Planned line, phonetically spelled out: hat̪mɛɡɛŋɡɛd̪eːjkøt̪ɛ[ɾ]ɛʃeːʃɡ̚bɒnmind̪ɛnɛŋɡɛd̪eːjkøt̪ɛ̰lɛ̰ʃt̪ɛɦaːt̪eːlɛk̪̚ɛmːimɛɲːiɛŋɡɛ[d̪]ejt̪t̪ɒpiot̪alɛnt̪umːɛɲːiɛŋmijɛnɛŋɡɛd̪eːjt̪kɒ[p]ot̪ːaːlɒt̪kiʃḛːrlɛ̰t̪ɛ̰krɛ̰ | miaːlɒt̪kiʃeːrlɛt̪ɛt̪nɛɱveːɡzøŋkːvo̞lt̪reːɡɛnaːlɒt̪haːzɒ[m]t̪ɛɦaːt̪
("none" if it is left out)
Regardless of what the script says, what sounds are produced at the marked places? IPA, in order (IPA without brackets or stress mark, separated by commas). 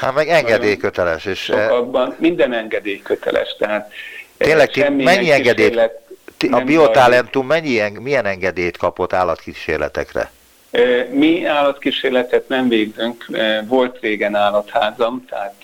l, d̪, p, m